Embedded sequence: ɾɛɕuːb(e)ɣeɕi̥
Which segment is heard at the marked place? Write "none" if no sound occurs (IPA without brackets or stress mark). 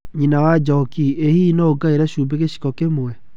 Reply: e